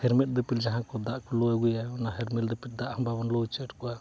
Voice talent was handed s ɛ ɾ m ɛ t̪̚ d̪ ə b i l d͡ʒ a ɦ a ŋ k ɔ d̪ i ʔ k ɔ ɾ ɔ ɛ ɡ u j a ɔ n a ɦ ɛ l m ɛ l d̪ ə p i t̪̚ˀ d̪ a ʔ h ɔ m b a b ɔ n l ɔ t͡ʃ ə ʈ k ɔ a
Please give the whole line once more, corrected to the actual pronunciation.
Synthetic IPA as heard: h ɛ ɾ m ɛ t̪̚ d̪ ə p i l d͡ʒ a ɦ a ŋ k ɔ d̪ a ʔ k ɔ l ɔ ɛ ɡ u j a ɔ n a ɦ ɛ ɾ m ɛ l d̪ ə p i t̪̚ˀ d̪ a ʔ h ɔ m b a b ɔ n l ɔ t͡ʃ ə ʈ k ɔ a